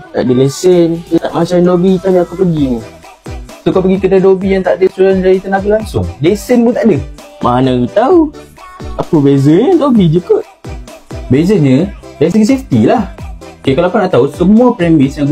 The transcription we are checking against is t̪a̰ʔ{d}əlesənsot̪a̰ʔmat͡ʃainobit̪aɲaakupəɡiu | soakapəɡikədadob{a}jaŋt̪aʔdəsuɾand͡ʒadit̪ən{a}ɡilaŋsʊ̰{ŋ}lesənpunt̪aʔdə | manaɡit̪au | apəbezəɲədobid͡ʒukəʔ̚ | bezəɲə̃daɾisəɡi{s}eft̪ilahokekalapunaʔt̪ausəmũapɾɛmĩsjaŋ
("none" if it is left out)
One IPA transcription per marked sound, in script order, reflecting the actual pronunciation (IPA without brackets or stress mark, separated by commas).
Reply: d, i, a, ŋ, s